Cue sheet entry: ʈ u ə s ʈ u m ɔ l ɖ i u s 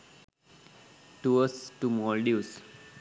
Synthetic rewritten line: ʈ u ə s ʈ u m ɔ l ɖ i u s

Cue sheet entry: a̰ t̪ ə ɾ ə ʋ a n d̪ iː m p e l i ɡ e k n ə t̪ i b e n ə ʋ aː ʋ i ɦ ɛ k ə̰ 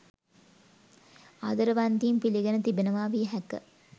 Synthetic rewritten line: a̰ d̪ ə ɾ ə ʋ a n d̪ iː m p i l i ɡ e n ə t̪ i b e n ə ʋ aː ʋ i ɦ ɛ k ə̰

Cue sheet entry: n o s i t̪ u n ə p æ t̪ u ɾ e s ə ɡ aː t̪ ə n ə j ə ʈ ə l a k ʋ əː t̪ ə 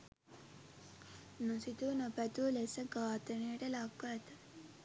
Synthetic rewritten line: n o s i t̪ u n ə p æ t̪ u l e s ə ɡ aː t̪ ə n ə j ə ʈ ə l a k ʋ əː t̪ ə

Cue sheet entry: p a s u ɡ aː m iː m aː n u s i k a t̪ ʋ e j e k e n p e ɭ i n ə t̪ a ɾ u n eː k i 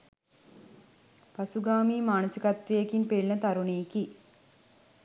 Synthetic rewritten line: p a s u ɡ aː m iː m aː n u s i k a t̪ ʋ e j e k i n p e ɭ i n ə t̪ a ɾ u n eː k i

